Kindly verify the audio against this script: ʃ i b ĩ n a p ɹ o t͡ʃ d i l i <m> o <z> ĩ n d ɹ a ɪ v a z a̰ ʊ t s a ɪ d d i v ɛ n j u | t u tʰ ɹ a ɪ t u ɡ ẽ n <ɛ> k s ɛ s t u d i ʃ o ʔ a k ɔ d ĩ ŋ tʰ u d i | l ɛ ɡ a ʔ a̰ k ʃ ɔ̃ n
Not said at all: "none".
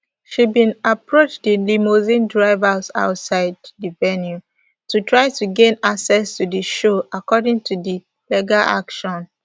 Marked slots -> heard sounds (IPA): m, z, a

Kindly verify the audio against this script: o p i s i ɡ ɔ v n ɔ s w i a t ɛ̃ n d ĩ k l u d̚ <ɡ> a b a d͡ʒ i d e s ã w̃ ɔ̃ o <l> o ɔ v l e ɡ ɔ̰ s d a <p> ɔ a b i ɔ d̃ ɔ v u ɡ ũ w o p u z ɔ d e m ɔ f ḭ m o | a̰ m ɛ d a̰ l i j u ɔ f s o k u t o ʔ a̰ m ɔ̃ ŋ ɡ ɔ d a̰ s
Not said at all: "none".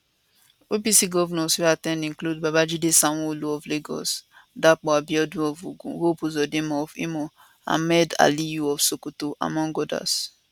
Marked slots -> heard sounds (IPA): b, l, k͡p

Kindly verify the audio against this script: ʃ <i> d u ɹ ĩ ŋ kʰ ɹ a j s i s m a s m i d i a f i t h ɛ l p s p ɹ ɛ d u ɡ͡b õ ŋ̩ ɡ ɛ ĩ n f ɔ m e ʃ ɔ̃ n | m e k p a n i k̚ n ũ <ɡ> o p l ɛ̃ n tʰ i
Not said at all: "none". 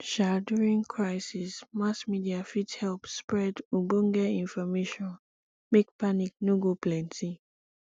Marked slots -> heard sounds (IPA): a, ɡ

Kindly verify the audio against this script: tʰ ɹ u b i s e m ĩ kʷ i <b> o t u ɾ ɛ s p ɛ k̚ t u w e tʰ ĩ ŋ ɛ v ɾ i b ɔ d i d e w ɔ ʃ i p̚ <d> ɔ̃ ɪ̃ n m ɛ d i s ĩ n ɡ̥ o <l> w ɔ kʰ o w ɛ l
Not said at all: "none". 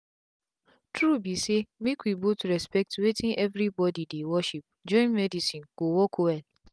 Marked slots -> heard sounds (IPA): b, d͡ʒ, none

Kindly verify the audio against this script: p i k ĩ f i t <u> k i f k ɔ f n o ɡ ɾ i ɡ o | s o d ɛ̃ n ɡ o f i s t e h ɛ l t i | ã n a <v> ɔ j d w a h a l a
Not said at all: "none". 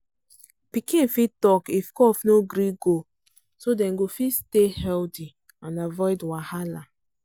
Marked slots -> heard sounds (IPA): ɔ, v

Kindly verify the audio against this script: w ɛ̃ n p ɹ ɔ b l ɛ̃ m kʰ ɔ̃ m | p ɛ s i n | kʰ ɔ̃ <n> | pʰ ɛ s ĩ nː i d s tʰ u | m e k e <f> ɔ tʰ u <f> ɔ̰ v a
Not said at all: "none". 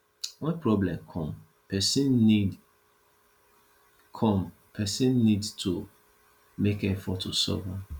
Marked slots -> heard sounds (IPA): m, f, s

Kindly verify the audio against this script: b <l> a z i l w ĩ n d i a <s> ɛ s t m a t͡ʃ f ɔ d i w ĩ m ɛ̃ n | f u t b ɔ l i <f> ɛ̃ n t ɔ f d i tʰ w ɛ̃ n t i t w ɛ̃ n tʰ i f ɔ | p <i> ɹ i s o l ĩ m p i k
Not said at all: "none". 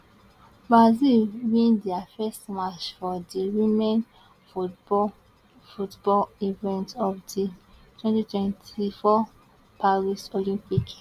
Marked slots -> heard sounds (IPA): ɹ, f, v, a

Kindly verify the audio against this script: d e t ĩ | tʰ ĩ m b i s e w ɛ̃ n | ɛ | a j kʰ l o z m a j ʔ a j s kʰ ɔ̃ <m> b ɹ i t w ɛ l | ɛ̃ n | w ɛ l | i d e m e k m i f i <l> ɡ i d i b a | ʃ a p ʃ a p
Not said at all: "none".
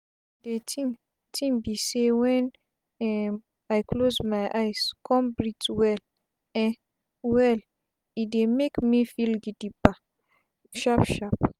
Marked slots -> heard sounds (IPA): m, l

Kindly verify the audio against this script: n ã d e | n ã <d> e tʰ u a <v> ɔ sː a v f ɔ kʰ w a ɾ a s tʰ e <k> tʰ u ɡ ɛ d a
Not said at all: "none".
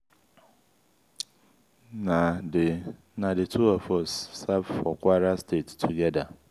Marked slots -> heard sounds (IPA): d, f, t

